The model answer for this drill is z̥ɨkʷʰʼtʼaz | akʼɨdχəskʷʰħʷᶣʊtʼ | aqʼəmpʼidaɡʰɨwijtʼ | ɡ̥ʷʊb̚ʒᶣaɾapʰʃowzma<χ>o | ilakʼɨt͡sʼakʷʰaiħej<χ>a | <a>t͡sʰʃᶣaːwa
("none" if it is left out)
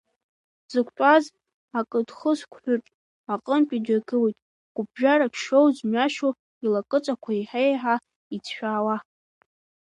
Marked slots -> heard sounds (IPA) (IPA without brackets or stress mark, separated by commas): ʃ, ħ, i